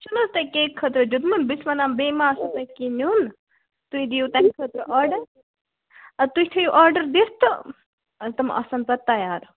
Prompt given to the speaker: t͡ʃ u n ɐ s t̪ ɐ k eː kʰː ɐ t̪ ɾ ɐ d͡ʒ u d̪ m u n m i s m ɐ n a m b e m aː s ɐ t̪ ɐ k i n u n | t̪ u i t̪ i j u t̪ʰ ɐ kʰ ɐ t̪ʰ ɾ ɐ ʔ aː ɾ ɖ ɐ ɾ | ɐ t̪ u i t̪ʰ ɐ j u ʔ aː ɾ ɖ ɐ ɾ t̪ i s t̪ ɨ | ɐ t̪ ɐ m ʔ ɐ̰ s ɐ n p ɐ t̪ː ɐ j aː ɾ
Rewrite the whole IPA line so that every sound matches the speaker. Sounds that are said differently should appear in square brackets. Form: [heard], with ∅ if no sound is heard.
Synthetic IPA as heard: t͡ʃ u n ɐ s t̪ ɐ k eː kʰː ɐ t̪ ɾ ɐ d͡ʒ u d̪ m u n [b] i s m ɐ n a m b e m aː s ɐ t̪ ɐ k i n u n | t̪ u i [d̪] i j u [t̪] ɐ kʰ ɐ [t̪] ɾ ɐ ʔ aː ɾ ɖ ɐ ɾ | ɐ t̪ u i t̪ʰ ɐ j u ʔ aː ɾ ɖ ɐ ɾ [d̪] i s t̪ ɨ | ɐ t̪ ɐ m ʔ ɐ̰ s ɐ n p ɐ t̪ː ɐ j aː ɾ